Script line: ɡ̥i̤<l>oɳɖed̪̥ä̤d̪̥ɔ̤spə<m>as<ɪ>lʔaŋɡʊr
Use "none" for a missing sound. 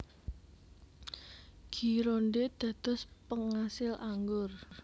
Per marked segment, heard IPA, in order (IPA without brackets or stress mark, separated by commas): ɾ, ŋ, ɪ